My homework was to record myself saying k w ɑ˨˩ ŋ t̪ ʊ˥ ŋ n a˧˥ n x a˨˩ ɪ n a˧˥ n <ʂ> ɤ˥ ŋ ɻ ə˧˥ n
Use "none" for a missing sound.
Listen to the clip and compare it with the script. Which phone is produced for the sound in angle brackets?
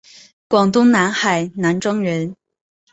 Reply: ʈ͡ʂ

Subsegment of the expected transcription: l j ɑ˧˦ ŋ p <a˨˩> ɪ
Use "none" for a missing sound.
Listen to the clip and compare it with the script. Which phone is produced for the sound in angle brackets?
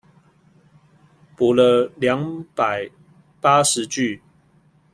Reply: a˨˩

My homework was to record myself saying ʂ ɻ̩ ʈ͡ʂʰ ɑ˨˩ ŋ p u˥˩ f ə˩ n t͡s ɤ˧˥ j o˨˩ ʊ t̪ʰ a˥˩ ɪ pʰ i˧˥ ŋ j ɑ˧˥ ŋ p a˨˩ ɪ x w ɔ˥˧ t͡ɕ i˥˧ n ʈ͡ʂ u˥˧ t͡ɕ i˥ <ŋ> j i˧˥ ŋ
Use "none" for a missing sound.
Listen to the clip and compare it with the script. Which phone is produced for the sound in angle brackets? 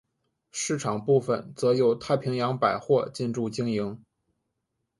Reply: ŋ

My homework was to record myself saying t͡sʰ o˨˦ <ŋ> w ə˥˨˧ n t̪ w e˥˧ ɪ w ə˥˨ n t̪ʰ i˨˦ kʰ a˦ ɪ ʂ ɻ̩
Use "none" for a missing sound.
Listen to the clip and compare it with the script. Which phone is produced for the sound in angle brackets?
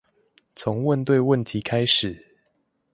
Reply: ŋ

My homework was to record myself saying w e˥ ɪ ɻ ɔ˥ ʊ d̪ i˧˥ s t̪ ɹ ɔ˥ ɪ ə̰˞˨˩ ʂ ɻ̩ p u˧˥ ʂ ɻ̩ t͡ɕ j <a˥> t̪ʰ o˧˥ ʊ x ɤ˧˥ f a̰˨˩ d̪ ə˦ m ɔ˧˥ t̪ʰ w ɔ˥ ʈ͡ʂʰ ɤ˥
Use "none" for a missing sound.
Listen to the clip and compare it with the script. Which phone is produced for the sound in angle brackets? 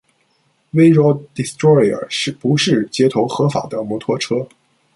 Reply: ɛ˥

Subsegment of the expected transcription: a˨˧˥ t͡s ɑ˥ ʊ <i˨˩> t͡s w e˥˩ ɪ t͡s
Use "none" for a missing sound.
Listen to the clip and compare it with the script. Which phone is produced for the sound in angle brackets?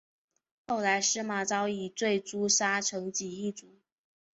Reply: i˨˩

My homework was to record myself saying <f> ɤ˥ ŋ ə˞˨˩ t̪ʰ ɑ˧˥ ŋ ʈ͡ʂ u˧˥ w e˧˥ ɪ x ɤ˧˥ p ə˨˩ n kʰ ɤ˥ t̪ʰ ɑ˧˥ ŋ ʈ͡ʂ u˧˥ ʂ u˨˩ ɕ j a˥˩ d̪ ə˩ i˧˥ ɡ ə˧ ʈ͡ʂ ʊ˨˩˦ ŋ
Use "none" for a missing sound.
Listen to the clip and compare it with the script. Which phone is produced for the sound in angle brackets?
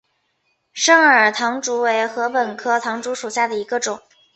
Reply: ʂ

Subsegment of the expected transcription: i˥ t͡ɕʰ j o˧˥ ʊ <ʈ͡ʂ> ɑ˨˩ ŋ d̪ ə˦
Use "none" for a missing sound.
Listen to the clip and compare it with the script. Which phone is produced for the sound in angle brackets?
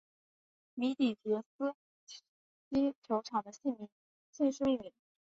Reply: ʈ͡ʂʰ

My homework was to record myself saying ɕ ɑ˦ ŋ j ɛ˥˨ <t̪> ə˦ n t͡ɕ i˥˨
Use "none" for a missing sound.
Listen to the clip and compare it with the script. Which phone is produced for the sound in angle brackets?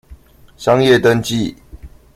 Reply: t̪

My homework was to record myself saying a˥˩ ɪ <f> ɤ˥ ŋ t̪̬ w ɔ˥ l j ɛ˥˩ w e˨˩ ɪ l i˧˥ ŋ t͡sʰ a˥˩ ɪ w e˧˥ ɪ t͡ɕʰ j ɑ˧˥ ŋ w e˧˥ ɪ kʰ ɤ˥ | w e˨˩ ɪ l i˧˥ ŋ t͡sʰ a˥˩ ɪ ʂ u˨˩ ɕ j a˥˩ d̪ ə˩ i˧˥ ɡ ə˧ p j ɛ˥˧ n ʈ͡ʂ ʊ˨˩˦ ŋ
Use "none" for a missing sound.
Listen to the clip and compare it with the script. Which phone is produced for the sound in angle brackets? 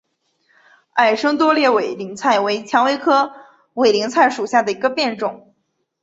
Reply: ʂ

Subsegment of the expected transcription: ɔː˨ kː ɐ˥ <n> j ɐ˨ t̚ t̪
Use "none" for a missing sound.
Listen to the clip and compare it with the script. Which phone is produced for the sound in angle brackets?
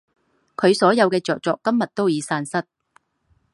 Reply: m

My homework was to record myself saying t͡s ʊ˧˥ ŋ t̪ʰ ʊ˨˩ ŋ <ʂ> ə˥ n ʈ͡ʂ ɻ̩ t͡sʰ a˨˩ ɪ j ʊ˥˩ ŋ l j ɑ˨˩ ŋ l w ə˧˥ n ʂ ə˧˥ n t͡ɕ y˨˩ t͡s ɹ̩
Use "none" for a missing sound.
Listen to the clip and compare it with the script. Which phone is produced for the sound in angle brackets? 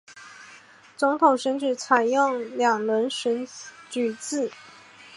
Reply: ʂ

